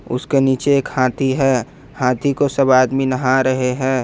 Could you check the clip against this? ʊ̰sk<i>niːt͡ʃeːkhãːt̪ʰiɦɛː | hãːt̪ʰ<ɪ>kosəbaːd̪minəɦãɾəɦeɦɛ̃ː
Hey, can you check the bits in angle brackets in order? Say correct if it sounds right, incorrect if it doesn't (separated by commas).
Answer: incorrect, incorrect